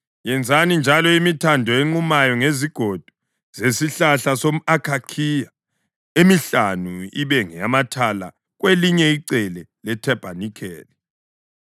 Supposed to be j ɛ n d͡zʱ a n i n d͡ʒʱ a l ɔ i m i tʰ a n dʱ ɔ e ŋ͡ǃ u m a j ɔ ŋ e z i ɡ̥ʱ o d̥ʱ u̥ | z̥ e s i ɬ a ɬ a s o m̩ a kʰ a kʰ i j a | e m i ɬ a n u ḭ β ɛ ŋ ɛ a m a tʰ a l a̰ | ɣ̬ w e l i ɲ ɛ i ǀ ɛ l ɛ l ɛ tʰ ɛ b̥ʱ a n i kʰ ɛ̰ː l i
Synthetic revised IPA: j ɛ n d͡zʱ a n i n d͡ʒʱ a l ɔ i m i tʰ a n dʱ ɔ e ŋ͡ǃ u m a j ɔ ŋ e z i ɡ̥ʱ o d̥ʱ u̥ | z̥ e s i ɬ a ɬ a s o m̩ a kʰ a kʰ i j a | e m i ɬ a n u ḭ β ɛ ŋ ɛ a m a tʰ a l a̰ | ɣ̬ w e l i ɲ ɛ i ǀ ɛ l ɛ l ɛ tʰ ɛ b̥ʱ a n i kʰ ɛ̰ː l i